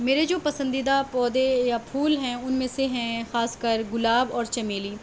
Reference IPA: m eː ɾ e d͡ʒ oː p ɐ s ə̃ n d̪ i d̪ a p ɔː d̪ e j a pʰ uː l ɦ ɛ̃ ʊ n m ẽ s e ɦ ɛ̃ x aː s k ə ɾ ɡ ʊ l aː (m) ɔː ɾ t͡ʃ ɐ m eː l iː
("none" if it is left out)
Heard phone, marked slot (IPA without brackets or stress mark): b